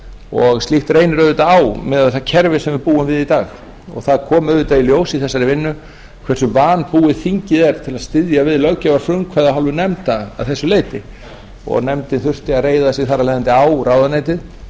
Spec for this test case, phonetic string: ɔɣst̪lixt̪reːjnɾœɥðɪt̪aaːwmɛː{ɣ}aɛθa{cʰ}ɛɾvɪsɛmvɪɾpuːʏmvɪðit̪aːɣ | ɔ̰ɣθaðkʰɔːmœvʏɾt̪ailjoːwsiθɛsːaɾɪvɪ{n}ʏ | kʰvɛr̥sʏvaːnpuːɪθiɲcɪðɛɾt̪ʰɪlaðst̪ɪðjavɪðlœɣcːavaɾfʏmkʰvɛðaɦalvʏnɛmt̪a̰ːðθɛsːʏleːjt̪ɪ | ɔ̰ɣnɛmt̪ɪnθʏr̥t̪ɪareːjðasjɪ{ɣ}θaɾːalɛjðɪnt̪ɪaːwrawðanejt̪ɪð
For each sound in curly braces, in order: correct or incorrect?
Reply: incorrect: ð, correct, incorrect: nː, correct

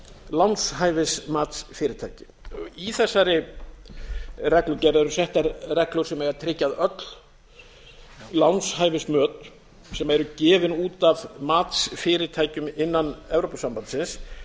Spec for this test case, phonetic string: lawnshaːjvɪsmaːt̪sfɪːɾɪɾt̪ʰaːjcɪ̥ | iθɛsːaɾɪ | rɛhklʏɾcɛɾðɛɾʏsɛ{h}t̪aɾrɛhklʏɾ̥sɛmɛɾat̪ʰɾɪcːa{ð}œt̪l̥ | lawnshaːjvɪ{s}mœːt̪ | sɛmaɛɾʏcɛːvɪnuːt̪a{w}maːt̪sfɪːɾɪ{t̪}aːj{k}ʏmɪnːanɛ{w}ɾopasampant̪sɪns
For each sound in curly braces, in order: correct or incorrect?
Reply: correct, correct, correct, incorrect: v, incorrect: t̪ʰ, incorrect: c, incorrect: v

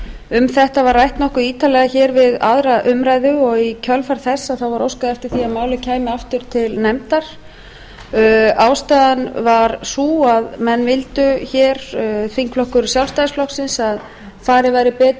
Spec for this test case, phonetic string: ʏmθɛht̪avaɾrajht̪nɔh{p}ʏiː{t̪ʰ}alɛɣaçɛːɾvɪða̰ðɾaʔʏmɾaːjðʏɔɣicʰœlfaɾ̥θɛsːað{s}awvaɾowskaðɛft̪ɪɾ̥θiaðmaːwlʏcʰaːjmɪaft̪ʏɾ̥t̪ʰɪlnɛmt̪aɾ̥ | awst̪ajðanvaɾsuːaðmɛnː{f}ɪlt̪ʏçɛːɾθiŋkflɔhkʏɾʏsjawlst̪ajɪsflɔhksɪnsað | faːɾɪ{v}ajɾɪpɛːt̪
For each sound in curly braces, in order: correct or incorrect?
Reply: incorrect: k, incorrect: t̪, incorrect: θ, incorrect: v, correct

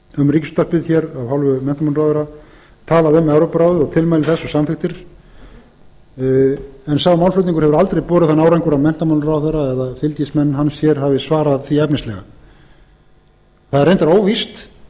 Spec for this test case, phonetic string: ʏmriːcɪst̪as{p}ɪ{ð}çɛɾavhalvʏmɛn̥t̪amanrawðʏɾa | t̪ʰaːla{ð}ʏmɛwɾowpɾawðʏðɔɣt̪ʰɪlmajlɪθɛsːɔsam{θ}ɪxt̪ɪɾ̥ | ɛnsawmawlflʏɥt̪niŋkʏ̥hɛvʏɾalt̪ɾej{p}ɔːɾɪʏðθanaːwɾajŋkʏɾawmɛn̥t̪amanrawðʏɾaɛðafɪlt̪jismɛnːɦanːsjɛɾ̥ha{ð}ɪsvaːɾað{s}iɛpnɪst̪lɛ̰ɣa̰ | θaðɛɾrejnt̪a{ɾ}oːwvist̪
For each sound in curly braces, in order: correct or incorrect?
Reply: correct, correct, correct, incorrect: f, correct, incorrect: v, incorrect: θ, correct

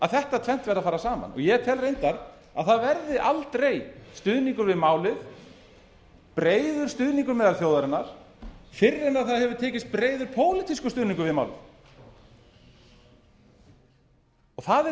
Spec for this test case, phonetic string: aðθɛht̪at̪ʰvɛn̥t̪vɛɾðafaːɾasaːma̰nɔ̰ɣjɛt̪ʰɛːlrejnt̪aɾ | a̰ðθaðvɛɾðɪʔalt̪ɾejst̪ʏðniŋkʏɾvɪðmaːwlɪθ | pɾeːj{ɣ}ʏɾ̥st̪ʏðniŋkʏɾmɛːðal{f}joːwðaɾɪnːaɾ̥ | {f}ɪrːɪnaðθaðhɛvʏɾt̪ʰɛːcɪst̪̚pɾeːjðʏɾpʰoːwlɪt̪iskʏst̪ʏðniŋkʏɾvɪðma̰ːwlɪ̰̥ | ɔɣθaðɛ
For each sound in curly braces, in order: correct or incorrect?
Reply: incorrect: ð, incorrect: θ, correct

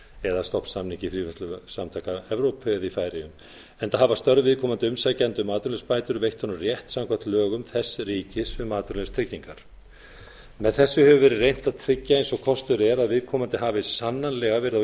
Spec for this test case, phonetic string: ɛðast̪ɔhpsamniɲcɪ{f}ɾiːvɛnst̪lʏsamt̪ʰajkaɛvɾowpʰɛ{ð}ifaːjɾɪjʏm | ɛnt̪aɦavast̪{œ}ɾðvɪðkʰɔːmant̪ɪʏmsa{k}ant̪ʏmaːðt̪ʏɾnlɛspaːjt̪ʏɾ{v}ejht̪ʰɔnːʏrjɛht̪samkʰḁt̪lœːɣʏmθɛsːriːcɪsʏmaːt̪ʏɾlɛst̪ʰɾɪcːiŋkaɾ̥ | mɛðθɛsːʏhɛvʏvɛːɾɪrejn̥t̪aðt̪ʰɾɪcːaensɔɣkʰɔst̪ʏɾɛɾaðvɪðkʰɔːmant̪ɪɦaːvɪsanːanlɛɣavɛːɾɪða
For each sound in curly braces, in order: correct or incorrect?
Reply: correct, correct, correct, incorrect: c, correct

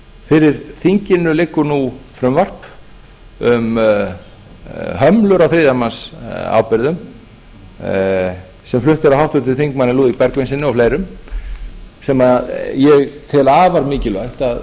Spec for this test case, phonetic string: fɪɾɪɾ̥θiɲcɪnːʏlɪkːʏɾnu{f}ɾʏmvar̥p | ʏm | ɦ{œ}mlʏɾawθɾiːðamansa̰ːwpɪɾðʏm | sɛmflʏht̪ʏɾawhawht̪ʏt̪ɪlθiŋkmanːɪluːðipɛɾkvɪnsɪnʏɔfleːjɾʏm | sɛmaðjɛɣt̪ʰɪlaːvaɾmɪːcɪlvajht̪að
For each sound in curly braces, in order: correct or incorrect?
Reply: correct, correct

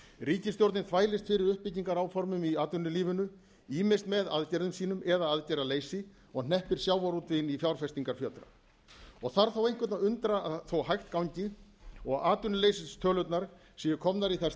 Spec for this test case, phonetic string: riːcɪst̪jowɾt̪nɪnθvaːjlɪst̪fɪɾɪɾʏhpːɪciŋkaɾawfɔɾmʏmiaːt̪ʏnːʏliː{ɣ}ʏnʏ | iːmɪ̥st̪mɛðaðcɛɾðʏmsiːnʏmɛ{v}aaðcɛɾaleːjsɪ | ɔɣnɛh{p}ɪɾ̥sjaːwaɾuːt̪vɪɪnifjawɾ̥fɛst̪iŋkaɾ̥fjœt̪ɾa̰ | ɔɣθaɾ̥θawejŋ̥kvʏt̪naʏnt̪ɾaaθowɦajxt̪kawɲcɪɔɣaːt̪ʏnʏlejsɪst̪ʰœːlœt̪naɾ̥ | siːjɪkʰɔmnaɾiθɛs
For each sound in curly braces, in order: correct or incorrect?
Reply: incorrect: v, incorrect: ð, correct

